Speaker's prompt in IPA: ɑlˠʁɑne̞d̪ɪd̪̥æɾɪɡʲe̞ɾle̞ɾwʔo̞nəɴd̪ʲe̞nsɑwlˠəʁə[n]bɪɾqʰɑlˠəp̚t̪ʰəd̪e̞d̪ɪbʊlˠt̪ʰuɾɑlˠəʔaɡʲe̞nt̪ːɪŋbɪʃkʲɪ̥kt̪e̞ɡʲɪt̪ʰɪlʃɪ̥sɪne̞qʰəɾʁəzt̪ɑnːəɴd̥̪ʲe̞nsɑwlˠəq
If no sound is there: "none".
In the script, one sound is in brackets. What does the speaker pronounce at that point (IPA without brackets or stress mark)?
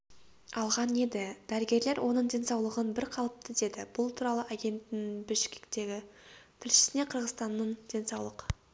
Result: n